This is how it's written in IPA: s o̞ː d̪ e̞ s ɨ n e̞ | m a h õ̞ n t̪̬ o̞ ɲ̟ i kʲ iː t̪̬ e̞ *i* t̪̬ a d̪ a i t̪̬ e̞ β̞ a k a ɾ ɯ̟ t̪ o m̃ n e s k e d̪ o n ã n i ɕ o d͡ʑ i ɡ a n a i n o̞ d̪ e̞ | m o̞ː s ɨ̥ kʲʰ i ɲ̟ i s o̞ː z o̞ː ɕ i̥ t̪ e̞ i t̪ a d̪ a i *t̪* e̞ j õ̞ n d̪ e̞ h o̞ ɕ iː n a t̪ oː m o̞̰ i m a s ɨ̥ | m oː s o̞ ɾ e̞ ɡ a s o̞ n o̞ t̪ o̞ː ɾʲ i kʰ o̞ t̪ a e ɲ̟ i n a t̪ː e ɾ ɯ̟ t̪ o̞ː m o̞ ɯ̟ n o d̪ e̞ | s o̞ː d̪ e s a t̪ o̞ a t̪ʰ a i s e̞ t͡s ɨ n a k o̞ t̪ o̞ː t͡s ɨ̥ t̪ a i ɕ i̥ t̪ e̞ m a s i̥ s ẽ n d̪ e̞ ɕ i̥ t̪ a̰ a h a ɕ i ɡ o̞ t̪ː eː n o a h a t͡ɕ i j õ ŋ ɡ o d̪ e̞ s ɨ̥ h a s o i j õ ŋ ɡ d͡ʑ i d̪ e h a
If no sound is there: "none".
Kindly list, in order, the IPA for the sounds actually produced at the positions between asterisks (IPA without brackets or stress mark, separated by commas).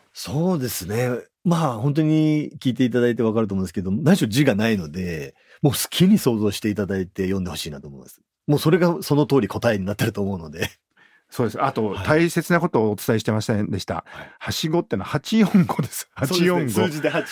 i, t̪